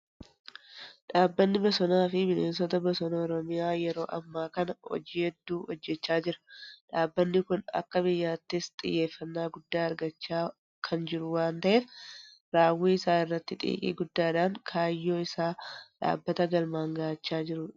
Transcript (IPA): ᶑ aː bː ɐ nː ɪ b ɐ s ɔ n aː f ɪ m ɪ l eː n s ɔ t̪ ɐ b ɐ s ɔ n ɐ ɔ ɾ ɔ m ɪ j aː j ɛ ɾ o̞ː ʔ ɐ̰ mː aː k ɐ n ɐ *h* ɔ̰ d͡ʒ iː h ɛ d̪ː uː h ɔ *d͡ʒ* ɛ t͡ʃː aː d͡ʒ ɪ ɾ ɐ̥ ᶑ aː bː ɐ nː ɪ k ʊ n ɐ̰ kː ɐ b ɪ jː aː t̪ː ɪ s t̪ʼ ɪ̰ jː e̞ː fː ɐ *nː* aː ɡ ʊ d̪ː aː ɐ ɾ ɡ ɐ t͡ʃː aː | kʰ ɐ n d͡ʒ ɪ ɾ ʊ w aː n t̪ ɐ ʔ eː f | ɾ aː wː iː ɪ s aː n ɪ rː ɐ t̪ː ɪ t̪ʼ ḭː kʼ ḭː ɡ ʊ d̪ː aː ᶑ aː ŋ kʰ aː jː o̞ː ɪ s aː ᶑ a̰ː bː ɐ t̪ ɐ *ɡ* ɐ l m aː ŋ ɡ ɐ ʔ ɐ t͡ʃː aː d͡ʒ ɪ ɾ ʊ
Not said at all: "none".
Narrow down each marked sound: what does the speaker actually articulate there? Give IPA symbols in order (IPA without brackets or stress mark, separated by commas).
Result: h, d͡ʒː, nː, ɡ